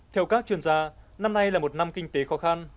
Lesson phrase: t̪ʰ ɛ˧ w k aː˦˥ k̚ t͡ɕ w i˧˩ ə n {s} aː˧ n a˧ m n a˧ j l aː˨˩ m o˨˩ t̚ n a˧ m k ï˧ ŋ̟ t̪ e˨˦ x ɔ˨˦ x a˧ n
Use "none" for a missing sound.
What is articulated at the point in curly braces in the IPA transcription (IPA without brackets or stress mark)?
z